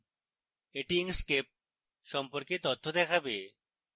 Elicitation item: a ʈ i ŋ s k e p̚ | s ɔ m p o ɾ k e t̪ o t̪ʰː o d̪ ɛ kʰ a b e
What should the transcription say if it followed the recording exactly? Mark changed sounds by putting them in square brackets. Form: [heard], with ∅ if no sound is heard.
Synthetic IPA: [e] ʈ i ŋ s k e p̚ | [ʃ] ɔ m p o ɾ k e t̪ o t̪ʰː o d̪ ɛ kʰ a b e

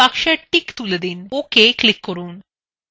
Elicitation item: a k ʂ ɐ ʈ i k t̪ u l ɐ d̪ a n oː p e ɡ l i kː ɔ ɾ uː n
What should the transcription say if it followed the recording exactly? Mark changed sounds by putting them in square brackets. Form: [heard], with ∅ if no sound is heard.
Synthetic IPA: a k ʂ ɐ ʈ i k t̪ u l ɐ d̪ [i] n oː [k] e [k] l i kː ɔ ɾ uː n

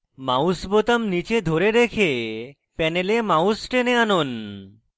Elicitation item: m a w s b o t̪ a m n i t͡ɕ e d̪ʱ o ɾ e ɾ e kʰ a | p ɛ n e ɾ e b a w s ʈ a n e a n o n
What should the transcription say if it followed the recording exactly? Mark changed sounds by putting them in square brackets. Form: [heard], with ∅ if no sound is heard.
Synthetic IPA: m a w s b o t̪ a m n i t͡ɕ e d̪ʱ o ɾ e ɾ e kʰ [e] | p ɛ n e [l] e [m] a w s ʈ [e] n e a n o n

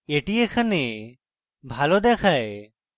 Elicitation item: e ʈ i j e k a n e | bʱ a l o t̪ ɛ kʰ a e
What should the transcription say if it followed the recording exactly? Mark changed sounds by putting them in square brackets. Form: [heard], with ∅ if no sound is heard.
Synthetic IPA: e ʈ i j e [kʰ] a n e | bʱ a l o [d̪] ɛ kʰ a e

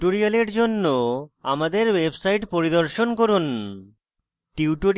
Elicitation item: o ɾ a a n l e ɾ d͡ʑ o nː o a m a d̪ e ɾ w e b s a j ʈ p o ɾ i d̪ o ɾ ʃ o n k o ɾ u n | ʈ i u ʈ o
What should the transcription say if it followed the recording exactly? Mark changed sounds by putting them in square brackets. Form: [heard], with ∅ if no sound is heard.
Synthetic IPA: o ɾ [i] a [∅] l e ɾ d͡ʑ o nː o a m a d̪ e ɾ w e b s a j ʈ p o ɾ i d̪ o ɾ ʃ o n k o ɾ u n | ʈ i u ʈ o

